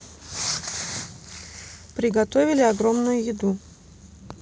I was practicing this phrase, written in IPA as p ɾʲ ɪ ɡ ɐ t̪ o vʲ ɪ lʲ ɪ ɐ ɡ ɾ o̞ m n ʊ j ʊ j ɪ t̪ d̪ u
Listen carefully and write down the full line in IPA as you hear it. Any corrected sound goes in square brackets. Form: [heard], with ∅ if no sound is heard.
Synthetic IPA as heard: p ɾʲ ɪ ɡ ɐ t̪ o vʲ ɪ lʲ ɪ ɐ ɡ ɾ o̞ m n ʊ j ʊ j ɪ [∅] d̪ u